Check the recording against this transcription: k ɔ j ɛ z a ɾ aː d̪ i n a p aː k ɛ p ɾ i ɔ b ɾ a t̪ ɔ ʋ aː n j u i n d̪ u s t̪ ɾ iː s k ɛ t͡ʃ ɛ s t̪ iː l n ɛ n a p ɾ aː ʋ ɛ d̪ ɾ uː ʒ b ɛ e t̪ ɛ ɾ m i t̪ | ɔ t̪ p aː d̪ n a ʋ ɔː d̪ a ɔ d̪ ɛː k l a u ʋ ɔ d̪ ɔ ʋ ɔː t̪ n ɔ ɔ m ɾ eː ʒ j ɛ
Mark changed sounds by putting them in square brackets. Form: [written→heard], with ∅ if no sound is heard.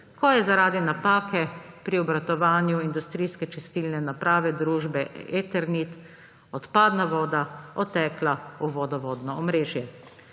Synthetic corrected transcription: k ɔ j ɛ z a ɾ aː d̪ i n a p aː k ɛ p ɾ i ɔ b ɾ a t̪ ɔ ʋ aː n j u i n d̪ u s t̪ ɾ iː s k ɛ t͡ʃ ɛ s t̪ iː l n ɛ n a p ɾ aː ʋ ɛ d̪ ɾ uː ʒ b ɛ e t̪ ɛ ɾ [m→n] i t̪ | ɔ t̪ p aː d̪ n a ʋ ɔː d̪ a ɔ [d̪→t̪] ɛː k l a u ʋ ɔ d̪ ɔ ʋ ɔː [t̪→d̪] n ɔ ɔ m ɾ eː ʒ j ɛ